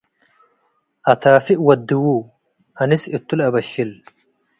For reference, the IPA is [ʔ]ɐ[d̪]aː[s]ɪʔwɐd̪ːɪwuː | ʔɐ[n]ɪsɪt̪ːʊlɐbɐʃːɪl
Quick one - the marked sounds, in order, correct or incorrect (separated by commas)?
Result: correct, incorrect, incorrect, correct